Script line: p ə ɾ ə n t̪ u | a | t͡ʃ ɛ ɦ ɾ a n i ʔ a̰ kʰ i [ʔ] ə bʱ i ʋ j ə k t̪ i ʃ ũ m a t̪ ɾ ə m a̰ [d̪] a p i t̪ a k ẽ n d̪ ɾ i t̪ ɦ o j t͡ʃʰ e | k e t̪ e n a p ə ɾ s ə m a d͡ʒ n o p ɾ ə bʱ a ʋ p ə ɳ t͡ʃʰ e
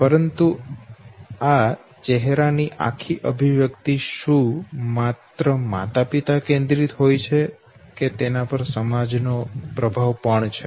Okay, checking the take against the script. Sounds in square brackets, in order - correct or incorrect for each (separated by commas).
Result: correct, incorrect